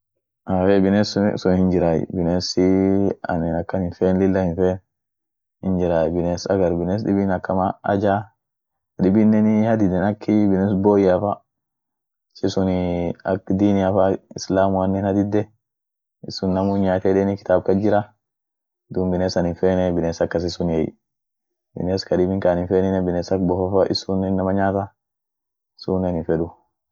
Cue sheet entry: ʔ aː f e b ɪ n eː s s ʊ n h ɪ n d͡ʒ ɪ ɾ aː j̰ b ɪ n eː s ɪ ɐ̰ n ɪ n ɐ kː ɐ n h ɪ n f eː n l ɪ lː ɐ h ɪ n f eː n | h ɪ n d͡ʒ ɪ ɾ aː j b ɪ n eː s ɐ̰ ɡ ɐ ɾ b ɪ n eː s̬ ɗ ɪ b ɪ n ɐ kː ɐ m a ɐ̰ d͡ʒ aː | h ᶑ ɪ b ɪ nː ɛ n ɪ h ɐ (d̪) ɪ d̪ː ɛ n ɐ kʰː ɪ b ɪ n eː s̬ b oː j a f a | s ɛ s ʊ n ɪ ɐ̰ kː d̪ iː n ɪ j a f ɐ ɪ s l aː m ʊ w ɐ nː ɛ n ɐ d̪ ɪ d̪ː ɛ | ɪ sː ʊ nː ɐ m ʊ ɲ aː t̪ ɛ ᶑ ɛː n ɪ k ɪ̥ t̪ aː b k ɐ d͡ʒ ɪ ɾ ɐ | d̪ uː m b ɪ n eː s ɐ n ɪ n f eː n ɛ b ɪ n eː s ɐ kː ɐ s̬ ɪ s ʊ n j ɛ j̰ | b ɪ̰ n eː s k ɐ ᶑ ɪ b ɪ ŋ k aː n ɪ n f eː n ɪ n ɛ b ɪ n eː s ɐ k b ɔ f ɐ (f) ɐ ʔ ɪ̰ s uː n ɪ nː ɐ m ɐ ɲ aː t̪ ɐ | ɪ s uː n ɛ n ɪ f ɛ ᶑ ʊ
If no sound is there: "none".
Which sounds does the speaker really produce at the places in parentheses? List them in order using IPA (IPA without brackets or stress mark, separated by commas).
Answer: d̪, f